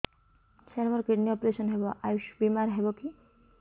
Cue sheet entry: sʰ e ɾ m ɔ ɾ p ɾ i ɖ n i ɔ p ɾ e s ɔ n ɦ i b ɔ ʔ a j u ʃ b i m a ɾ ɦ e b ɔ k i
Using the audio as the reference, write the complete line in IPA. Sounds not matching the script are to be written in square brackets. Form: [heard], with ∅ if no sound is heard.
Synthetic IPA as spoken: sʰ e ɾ m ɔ ɾ [k] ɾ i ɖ n i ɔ p ɾ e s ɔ n ɦ [e] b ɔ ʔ a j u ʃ b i m a ɾ ɦ e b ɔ k i

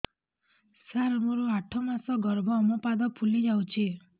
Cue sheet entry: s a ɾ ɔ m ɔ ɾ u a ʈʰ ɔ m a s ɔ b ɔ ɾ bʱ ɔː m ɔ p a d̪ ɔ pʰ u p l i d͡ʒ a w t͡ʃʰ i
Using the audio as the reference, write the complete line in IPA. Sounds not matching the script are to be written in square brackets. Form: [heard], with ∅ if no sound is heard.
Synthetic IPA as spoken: s a ɾ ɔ m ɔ ɾ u a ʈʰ ɔ m a s ɔ [ɡ] ɔ ɾ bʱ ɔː m ɔ p a d̪ ɔ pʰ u [∅] l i d͡ʒ a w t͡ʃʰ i

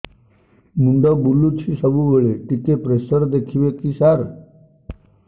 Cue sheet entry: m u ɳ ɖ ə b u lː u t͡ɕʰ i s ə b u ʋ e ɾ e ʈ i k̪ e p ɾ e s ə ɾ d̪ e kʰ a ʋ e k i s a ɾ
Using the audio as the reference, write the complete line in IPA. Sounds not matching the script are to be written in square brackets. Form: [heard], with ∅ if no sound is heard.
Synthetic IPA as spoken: m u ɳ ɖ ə b u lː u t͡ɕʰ i s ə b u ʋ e [ɭ] e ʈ i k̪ e p ɾ e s ə ɾ d̪ e kʰ [i] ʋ e k i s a ɾ

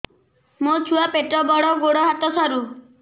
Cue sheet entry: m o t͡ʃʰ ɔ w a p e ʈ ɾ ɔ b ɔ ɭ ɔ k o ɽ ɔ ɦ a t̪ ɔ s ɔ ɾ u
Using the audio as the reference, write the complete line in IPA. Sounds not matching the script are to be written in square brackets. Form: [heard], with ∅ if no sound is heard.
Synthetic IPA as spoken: m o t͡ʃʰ [u] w a p e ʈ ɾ ɔ b ɔ [ɽ] ɔ [ɡ] o ɽ ɔ ɦ a t̪ ɔ s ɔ ɾ u

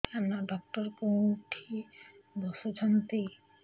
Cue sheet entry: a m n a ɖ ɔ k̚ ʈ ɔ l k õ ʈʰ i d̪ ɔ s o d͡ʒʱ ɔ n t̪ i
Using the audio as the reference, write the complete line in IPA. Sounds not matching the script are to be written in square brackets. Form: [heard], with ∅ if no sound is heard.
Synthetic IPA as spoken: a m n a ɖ ɔ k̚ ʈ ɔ [ɾ] k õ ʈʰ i d̪ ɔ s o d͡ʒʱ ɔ n t̪ i

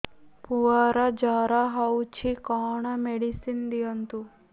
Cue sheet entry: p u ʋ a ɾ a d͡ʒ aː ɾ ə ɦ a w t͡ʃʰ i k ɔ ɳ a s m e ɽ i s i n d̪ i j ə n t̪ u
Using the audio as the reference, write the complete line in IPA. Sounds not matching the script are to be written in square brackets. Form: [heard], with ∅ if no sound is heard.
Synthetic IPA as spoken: p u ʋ a ɾ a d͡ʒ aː ɾ [a] ɦ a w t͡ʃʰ i k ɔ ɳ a [∅] m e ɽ i s i n d̪ i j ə n t̪ u

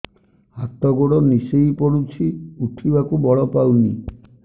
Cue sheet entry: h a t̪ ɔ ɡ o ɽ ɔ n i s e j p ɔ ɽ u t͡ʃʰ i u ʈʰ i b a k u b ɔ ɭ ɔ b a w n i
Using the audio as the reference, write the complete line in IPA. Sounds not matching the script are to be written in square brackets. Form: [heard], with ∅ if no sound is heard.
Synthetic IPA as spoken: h a t̪ ɔ ɡ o ɽ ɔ n i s e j p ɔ ɽ u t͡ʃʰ i u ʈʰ i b a k u b ɔ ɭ ɔ [p] a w n i

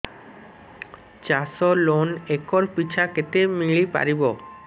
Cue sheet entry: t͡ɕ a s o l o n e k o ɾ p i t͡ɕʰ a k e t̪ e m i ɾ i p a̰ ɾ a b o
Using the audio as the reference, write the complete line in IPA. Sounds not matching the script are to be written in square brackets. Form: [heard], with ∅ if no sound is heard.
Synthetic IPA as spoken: t͡ɕ a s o l o n e k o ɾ p i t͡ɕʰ a k e t̪ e m i [ɭ] i p a̰ ɾ [i] b o

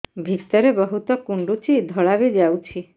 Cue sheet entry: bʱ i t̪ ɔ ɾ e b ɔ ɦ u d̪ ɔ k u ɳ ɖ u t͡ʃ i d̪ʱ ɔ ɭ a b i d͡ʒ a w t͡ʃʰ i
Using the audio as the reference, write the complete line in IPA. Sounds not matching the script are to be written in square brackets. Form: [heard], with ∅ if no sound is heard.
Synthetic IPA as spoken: bʱ i t̪ ɔ ɾ e b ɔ ɦ u [t̪] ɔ k u ɳ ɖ u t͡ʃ i d̪ʱ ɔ ɭ a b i d͡ʒ a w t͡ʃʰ i

